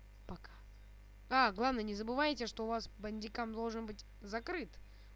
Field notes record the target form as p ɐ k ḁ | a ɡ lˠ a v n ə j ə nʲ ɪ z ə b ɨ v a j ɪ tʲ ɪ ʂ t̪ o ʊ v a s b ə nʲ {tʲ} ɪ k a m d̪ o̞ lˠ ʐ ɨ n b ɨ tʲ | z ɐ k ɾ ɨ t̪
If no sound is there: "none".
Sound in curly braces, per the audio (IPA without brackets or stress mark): dʲ